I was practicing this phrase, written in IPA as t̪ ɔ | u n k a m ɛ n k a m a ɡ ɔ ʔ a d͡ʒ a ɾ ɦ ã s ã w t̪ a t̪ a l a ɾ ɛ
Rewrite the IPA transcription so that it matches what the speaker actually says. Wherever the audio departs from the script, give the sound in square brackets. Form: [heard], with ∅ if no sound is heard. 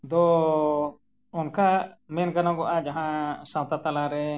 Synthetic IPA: [d̪] ɔ | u n k a m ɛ n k a [n] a ɡ ɔ ʔ a d͡ʒ a [∅] ɦ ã s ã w t̪ a t̪ a l a ɾ ɛ